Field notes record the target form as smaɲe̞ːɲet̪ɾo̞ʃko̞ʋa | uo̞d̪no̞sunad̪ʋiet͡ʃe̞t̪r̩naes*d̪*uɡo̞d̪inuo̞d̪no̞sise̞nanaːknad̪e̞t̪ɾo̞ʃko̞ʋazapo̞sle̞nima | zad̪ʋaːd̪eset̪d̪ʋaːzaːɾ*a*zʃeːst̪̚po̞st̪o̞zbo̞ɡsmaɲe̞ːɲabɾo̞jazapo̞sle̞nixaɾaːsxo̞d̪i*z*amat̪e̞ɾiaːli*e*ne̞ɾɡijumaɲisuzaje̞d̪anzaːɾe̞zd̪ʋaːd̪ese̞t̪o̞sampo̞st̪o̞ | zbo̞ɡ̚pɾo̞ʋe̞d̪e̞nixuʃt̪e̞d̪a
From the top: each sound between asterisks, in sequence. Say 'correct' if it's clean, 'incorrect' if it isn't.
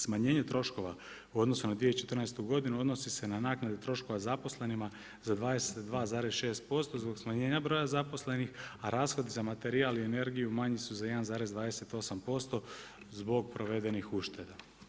incorrect, incorrect, correct, correct

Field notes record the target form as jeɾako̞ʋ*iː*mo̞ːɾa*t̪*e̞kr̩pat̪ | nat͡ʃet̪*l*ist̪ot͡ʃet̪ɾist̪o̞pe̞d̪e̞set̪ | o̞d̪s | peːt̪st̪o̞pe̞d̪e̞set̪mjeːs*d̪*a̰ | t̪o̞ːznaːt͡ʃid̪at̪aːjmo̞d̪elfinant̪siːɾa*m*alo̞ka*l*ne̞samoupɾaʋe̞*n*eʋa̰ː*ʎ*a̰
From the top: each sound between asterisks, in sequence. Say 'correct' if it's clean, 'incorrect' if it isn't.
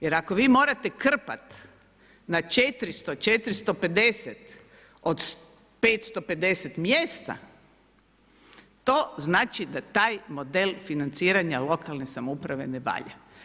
correct, correct, incorrect, incorrect, incorrect, correct, correct, correct

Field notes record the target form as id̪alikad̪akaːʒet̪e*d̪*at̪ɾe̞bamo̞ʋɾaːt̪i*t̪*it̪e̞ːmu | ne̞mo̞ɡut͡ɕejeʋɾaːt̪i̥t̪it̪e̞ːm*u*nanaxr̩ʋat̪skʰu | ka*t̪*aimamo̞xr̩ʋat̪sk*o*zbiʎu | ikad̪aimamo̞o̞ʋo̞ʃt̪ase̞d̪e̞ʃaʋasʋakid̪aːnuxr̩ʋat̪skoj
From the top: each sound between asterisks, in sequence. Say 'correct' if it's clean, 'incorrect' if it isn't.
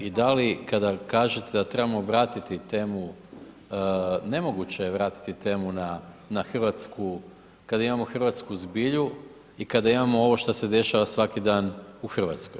correct, correct, correct, incorrect, incorrect

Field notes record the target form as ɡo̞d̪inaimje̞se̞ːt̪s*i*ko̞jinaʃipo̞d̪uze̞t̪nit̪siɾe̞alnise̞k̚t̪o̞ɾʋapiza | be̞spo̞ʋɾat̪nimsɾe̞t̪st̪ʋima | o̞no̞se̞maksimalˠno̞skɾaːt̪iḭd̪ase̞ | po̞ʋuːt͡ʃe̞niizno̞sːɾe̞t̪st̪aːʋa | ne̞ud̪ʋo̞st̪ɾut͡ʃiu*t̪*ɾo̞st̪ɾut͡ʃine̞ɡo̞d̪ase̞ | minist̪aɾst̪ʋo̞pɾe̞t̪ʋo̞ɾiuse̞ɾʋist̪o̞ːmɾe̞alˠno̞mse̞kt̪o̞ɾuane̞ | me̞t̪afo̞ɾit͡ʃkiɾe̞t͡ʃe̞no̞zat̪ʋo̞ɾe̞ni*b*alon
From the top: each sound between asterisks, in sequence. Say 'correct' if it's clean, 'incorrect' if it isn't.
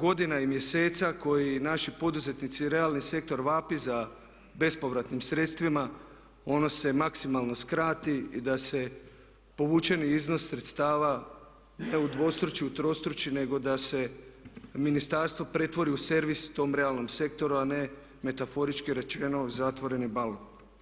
incorrect, correct, correct

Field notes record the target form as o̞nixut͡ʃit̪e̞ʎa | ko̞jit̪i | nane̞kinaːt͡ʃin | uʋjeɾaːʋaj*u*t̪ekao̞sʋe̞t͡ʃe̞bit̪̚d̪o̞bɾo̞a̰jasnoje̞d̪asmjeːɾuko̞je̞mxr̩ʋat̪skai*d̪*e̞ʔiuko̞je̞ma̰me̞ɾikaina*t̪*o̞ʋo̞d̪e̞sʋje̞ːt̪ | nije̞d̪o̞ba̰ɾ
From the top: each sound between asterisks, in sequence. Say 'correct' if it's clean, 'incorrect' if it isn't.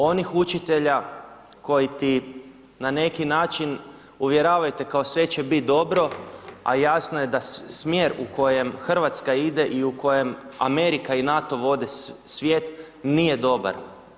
correct, correct, correct

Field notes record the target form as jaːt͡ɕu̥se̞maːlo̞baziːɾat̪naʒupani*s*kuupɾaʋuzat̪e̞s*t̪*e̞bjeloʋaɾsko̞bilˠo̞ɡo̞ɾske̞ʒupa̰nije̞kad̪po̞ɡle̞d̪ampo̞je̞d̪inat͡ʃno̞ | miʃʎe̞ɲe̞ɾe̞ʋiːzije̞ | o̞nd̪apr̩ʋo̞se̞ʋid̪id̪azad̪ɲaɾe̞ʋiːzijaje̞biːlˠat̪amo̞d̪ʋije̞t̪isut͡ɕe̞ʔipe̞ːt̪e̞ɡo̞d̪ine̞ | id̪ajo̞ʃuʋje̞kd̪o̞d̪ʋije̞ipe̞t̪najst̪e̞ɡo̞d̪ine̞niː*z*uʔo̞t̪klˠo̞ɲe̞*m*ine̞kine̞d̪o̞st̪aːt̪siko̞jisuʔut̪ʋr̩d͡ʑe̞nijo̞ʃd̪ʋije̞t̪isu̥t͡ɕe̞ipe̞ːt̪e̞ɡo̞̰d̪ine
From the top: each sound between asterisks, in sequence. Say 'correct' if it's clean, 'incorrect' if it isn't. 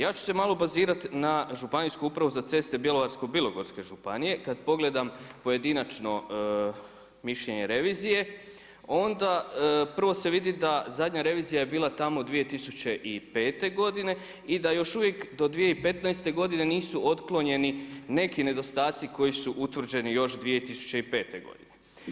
correct, correct, incorrect, incorrect

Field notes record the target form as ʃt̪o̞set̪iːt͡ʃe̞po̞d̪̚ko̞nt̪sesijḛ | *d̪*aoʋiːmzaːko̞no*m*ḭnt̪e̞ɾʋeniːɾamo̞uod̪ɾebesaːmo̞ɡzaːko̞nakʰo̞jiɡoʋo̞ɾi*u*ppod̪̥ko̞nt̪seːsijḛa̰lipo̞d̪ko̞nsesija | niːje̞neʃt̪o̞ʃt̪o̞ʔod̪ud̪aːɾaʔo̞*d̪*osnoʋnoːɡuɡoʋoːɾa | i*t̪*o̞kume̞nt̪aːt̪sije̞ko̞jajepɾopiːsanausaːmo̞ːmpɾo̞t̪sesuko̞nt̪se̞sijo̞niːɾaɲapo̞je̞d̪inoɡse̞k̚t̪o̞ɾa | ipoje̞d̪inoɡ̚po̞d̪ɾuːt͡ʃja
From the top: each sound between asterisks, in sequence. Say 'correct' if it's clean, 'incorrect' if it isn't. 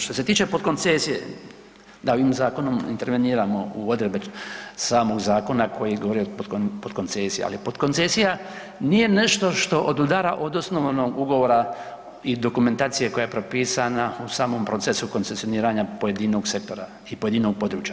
correct, correct, incorrect, correct, incorrect

